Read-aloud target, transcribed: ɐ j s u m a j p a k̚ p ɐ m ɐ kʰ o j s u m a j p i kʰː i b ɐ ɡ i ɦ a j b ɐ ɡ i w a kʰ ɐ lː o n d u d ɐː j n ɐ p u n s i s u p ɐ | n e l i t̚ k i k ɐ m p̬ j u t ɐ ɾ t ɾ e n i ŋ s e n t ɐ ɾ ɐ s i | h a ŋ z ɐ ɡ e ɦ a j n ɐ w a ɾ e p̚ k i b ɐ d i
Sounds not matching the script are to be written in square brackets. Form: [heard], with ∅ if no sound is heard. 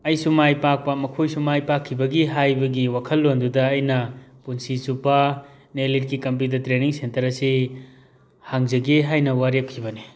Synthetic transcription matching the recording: ɐ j s u m a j p a k̚ p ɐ m ɐ kʰ o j s u m a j p [a] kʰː i b ɐ ɡ i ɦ a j b ɐ ɡ i w a kʰ ɐ lː o n d u d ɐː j n ɐ p u n s i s u p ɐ | n e l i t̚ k i k ɐ m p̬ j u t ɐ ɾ t ɾ e n i ŋ s e n t ɐ ɾ ɐ s i | h a ŋ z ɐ ɡ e ɦ a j n ɐ w a ɾ e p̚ [kʰ] i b ɐ [n] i